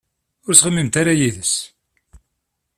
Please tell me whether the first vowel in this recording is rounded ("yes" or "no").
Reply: yes